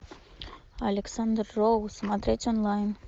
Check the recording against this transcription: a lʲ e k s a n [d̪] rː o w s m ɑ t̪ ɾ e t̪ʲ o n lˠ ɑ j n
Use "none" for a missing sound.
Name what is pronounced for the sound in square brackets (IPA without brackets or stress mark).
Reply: d̪